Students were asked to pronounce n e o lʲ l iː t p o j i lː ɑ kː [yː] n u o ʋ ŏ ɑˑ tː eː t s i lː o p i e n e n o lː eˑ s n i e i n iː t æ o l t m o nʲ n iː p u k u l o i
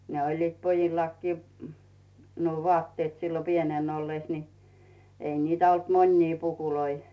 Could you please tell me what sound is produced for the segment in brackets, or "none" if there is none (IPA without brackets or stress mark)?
iː